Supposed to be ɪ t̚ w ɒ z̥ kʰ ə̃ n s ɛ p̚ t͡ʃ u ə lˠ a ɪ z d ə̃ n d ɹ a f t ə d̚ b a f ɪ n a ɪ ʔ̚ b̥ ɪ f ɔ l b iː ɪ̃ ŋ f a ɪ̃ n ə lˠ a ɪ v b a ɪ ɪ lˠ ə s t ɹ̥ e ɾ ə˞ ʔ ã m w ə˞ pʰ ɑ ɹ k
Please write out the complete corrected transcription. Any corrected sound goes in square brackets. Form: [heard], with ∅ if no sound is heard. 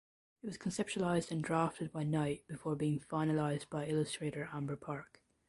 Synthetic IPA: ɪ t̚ w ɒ z̥ kʰ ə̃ n s ɛ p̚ t͡ʃ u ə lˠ a ɪ z d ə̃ n d ɹ a f t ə d̚ b a [∅] ɪ n a ɪ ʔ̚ b̥ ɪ f ɔ [ɹ] b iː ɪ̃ ŋ f a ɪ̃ n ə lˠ a ɪ [z] b a ɪ ɪ lˠ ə s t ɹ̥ e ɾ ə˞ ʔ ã m [b] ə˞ pʰ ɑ ɹ k